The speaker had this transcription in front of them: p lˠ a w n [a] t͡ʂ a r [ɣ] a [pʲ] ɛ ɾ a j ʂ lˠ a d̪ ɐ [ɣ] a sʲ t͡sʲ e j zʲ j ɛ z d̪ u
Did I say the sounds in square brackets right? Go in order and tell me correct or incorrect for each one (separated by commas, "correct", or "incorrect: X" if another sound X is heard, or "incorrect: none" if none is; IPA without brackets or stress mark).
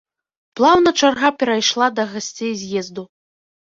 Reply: incorrect: ɐ, correct, correct, correct